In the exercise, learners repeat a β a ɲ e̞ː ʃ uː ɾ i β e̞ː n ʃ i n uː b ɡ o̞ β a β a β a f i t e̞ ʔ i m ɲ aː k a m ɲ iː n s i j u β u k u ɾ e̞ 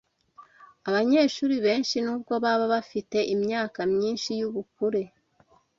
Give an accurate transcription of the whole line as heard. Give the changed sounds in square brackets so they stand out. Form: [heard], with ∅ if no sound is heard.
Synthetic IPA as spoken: a β a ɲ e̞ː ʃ uː ɾ i β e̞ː n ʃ i n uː b ɡ o̞ β a β a β a f i t e̞ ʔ i m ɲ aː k a m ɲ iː n [ʃ] i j u β u k u ɾ e̞